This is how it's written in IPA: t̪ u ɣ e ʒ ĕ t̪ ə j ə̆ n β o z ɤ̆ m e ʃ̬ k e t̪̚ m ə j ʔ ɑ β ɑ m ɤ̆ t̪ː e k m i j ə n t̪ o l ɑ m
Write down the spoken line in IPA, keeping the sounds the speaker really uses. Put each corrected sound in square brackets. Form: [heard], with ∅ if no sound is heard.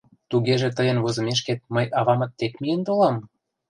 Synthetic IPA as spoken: t̪ u ɣ e ʒ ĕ t̪ ə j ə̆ n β o z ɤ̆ m e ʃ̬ k e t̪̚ m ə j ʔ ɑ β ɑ m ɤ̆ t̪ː e k m i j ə n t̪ o l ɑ m